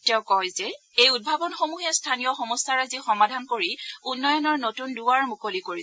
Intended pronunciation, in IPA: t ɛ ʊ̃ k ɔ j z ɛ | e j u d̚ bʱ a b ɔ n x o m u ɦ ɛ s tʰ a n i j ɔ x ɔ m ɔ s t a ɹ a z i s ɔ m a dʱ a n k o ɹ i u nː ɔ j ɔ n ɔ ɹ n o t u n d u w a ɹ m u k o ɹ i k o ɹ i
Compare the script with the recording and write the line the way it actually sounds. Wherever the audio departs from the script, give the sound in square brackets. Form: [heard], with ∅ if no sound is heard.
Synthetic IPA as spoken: t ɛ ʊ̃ k ɔ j z ɛ | e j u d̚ bʱ a b ɔ n x o m u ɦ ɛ s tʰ a n i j ɔ x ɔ m ɔ s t a ɹ a z i [x] ɔ m a dʱ a n k o ɹ i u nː ɔ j ɔ n ɔ ɹ n o t u n d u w a ɹ m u k o [l] i k o ɹ i

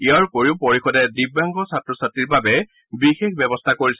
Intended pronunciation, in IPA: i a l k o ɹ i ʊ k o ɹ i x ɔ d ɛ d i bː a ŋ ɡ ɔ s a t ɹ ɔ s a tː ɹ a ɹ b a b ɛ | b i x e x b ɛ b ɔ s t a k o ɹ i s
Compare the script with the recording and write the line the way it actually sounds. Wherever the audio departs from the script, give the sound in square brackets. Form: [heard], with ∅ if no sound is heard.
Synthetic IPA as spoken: i a [ɹ] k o ɹ i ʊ [p] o ɹ i x ɔ d ɛ d i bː a ŋ ɡ ɔ s a t ɹ ɔ s a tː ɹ [i] ɹ b a b ɛ | b i x e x b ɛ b ɔ s [tʰ] a k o ɹ i s

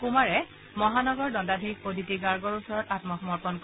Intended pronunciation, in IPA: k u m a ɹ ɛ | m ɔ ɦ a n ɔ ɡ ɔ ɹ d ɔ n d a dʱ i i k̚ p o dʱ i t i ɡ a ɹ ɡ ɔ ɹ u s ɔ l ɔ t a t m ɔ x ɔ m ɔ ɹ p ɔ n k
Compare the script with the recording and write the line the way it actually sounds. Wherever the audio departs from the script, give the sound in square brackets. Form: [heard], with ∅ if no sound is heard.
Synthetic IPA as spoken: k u m a ɹ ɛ | m ɔ ɦ a n ɔ ɡ ɔ ɹ d ɔ n d a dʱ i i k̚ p o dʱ i t i ɡ a ɹ ɡ ɔ ɹ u s ɔ [ɹ] ɔ t a t m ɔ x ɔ m ɔ ɹ p ɔ n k

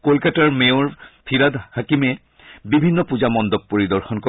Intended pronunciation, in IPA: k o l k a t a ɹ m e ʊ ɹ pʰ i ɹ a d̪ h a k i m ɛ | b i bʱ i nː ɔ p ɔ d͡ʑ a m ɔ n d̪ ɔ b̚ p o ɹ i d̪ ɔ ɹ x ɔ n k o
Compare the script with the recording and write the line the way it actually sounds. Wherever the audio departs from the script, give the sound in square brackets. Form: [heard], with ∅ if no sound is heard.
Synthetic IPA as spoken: k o l k a t a ɹ m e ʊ ɹ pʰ i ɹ a d̪ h a k i m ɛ | b i bʱ i nː ɔ p [u] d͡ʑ a m ɔ n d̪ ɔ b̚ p o ɹ i d̪ ɔ ɹ x ɔ n k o

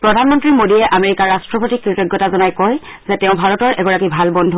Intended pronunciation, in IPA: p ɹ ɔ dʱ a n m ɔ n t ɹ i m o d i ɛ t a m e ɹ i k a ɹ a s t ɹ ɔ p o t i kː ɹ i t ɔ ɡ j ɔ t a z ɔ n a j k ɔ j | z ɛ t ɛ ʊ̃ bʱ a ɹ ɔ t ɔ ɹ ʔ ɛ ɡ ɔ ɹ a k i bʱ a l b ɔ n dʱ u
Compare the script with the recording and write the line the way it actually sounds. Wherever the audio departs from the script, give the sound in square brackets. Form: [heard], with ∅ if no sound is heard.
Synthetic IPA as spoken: p ɹ ɔ dʱ a n m ɔ n t ɹ i m o d i ɛ [ʔ] a m e ɹ i k a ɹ a s t ɹ ɔ p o t i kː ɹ i t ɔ ɡ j ɔ t a z ɔ n a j k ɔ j | z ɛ t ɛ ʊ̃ bʱ a ɹ ɔ t ɔ ɹ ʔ ɛ ɡ ɔ ɹ a k i bʱ a l b ɔ n dʱ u

